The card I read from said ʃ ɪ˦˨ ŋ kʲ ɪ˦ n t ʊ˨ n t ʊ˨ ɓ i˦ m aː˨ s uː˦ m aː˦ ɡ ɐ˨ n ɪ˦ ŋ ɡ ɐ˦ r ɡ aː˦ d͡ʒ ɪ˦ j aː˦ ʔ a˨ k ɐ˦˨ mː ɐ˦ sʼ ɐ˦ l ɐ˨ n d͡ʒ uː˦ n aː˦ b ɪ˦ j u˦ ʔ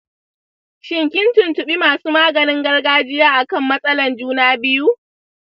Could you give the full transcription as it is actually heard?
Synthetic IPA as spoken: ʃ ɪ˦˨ ŋ kʲ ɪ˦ n t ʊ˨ n t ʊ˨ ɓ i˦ m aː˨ s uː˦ m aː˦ ɡ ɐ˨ n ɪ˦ ŋ ɡ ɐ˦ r ɡ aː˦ d͡ʒ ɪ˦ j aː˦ ʔ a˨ k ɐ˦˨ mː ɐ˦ sʼ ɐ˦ l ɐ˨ n d͡ʒ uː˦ n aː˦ b ɪ˦ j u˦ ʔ